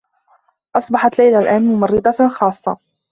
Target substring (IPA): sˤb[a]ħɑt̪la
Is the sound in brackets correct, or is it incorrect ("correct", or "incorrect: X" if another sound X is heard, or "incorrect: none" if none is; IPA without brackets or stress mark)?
incorrect: ɑ